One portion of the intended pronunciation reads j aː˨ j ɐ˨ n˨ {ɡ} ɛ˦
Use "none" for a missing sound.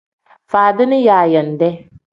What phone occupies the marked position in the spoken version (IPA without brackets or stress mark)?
d